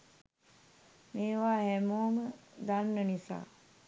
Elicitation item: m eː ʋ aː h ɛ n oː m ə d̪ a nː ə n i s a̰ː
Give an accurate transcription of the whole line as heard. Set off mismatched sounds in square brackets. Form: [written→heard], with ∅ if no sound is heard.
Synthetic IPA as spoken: m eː ʋ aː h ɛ [n→m] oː m ə d̪ a nː ə n i s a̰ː